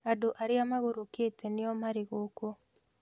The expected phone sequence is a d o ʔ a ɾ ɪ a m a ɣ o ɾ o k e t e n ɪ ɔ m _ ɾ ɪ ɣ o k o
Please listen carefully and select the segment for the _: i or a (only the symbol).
a